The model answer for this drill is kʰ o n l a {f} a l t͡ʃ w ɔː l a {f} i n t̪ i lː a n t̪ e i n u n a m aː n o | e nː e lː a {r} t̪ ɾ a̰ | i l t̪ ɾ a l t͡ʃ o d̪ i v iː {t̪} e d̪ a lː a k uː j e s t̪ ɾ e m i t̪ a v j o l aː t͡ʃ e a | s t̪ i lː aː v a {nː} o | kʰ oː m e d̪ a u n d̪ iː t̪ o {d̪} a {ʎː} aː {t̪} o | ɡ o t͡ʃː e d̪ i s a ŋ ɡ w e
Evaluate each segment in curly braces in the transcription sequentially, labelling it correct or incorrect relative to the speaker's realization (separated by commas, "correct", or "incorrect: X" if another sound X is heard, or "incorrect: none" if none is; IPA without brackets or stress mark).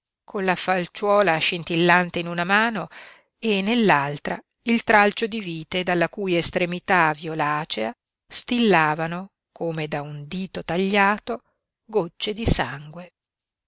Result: correct, incorrect: ʃ, incorrect: l, correct, incorrect: n, incorrect: t̪, correct, correct